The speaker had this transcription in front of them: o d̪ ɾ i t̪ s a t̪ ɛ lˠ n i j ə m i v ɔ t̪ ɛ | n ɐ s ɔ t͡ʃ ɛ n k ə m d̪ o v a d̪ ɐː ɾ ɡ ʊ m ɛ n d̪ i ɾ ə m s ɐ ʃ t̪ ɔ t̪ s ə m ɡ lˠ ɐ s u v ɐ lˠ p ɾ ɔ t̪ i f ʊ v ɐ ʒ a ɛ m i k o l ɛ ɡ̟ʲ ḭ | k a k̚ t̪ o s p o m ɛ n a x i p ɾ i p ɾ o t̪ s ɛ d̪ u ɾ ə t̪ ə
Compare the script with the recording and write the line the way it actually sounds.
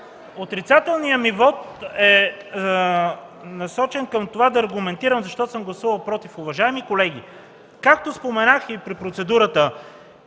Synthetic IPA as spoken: o t̪ ɾ i t̪ s a t̪ ɛ lˠ n i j ə m i v ɔ t̪ ɛ | n ɐ s ɔ t͡ʃ ɛ n k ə m t̪ o v a d̪ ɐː ɾ ɡ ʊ m ɛ n t̪ i ɾ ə m z ɐ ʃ t̪ ɔ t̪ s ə m ɡ lˠ ɐ s u v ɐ lˠ p ɾ ɔ t̪ i f ʊ v ɐ ʒ a ɛ m i k o l ɛ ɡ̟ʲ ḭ | k a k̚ t̪ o s p o m ɛ n a x i p ɾ i p ɾ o t̪ s ɛ d̪ u ɾ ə t̪ ə